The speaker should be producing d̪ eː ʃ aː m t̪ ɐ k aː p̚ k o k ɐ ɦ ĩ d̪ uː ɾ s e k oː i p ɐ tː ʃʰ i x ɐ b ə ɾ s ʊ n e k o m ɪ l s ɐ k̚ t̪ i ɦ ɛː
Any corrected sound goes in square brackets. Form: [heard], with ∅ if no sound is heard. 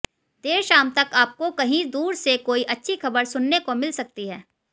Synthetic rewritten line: d̪ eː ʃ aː m t̪ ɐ k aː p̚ k o k ɐ ɦ ĩ d̪ uː ɾ s e k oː i [ʔ] ɐ tː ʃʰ i x ɐ b ə ɾ s ʊ [nː] e k o m ɪ l s ɐ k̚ t̪ i ɦ ɛː